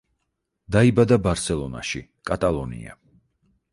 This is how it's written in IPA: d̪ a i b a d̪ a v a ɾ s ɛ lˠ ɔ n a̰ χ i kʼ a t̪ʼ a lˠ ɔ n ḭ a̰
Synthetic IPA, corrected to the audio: d̪ a i b a d̪ a b a ɾ s ɛ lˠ ɔ n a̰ ʃ i kʼ a t̪ʼ a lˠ ɔ n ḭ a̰